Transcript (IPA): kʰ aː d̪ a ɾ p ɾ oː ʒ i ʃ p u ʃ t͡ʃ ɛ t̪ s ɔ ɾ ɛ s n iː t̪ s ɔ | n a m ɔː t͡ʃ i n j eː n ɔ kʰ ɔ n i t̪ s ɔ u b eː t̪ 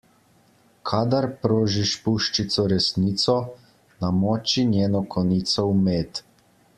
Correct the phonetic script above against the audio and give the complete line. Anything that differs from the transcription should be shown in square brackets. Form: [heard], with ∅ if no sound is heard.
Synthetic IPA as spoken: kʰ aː d̪ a ɾ p ɾ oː ʒ i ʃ p u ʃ t͡ʃ [i] t̪ s ɔ ɾ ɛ s n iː t̪ s ɔ | n a m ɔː t͡ʃ i n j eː n ɔ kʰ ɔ n i t̪ s ɔ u [m] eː t̪